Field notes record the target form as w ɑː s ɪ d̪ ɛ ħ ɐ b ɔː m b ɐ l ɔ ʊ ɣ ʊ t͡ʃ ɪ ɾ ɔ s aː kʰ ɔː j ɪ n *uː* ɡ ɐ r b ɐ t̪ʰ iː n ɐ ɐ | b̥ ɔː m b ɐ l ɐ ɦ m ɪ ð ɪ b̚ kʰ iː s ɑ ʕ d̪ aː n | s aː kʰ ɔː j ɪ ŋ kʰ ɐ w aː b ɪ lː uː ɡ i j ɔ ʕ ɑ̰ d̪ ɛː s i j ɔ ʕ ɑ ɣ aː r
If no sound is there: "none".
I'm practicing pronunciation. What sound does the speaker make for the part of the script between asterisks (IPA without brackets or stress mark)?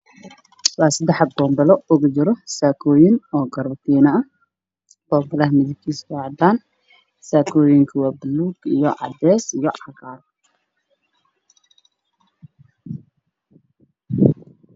ɔː